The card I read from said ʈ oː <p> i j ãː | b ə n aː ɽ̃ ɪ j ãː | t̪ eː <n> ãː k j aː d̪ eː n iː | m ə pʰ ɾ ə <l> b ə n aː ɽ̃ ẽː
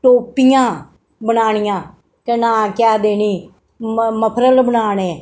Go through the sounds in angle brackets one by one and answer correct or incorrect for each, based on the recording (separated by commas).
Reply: correct, correct, correct